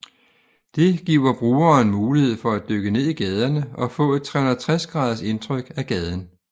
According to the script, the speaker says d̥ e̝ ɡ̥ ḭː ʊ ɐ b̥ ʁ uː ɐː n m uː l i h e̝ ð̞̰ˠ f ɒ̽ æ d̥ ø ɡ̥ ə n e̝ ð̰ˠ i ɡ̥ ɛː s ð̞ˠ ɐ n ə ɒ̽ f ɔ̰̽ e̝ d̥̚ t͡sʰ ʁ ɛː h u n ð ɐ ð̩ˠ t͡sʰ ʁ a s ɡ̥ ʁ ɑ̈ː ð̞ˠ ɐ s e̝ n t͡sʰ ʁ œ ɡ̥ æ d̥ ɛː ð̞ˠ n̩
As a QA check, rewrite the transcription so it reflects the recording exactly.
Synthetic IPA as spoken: d̥ e̝ ɡ̥ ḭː ʊ ɐ b̥ ʁ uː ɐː n m uː l i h e̝ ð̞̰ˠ f ɒ̽ æ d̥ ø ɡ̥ ə n e̝ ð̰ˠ i ɡ̥ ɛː ð̞ˠ ɐ n ə ɒ̽ f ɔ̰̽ e̝ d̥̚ t͡sʰ ʁ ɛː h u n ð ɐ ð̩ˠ t͡sʰ ʁ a s ɡ̥ ʁ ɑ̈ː ð̞ˠ ɐ s e̝ n t͡sʰ ʁ œ ɡ̥ æ ɡ̥ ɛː ð̞ˠ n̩